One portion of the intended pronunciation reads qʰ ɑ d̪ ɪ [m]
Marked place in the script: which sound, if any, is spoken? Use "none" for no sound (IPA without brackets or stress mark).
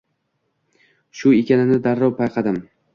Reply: m